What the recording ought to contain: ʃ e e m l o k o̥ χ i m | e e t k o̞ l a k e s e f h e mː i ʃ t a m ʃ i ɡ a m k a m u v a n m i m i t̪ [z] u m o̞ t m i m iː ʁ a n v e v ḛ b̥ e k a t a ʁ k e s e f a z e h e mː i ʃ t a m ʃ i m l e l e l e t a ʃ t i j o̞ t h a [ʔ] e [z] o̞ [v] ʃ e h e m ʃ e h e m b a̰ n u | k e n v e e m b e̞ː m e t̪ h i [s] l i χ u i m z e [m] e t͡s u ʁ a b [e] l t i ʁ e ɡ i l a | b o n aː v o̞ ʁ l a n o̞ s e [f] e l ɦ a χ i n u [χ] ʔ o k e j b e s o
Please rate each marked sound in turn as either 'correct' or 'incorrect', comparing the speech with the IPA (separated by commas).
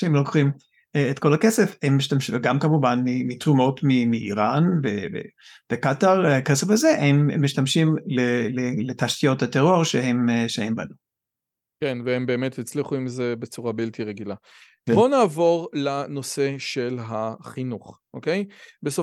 incorrect, incorrect, incorrect, incorrect, incorrect, incorrect, incorrect, incorrect, correct